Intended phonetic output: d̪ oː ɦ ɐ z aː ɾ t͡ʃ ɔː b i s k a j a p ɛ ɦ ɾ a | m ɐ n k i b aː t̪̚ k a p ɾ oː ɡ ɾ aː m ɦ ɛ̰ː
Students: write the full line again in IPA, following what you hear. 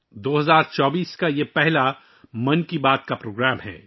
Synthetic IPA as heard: d̪ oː ɦ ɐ z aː ɾ t͡ʃ ɔː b iː s k a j e p ɛ ɦ l a | m ɐ n k i b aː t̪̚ k a p ɾ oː ɡ ɾ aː m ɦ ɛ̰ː

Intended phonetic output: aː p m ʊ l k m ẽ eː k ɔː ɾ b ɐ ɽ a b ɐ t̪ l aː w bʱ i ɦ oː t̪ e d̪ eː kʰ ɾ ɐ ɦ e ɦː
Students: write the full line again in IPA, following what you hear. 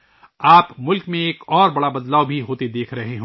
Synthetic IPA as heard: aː p m ʊ l k m ẽ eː k ɔː ɾ b ɐ ɽ a b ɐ d̪ l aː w bʱ i ɦ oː t̪ e d̪ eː kʰ ɾ ɐ ɦ e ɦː

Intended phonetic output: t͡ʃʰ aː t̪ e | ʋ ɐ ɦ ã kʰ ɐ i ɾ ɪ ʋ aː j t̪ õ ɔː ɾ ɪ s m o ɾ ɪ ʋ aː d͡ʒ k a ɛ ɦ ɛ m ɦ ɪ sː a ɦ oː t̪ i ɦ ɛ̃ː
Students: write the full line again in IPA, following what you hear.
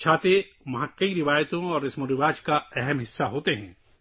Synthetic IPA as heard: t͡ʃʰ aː t̪ e | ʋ ɐ ɦ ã k ɐ i ɾ ɪ ʋ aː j t̪ õ ɔː ɾ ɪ s m o ɾ ɪ ʋ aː d͡ʒ k a ɛ ɦ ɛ m ɦ ɪ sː a ɦ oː t̪ e ɦ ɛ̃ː

